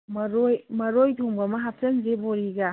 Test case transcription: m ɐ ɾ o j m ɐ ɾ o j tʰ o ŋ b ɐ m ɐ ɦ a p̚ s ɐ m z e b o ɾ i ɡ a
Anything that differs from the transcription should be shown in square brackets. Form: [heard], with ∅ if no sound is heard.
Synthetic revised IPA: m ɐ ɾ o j m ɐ ɾ o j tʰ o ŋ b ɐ m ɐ ɦ a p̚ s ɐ [n] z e b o ɾ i ɡ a